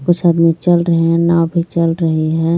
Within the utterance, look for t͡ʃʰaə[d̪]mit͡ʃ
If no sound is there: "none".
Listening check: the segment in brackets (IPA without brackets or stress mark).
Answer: d̪